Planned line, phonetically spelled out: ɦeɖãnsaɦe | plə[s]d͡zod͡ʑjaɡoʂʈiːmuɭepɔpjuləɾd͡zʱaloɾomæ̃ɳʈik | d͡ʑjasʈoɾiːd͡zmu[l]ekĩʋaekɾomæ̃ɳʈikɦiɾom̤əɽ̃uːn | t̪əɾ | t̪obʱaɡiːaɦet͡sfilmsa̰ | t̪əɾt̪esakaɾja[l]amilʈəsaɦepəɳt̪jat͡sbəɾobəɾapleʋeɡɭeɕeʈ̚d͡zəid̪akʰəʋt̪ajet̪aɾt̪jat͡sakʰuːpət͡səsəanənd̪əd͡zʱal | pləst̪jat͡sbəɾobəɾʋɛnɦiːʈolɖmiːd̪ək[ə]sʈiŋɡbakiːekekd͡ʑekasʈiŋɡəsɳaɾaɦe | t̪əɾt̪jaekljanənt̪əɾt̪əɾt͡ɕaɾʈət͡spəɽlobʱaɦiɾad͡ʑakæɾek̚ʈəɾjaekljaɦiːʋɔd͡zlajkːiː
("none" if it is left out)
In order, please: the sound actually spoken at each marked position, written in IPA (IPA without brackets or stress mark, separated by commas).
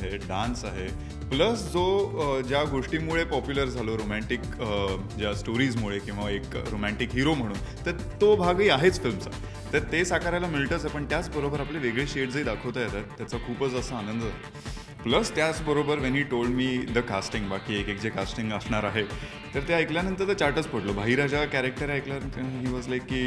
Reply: s, ɭ, l, a